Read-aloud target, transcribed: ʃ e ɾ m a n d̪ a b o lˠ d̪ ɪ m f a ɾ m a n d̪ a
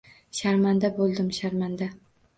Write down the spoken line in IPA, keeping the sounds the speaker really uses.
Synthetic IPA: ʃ a ɾ m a n d̪ a b o lˠ d̪ ɪ m ʃ a ɾ m a n d̪ a